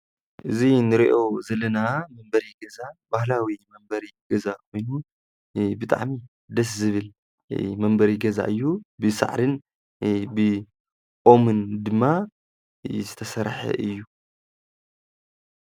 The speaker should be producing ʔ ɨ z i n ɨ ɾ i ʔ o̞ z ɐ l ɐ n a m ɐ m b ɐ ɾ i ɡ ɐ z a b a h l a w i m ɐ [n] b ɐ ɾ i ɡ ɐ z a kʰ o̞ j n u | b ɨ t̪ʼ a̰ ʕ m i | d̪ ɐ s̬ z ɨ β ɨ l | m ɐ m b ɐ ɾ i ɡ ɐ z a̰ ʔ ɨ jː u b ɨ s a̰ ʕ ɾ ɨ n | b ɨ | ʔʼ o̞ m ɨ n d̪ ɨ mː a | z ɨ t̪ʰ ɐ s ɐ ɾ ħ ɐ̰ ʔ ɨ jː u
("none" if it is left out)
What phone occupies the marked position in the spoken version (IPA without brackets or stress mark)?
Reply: m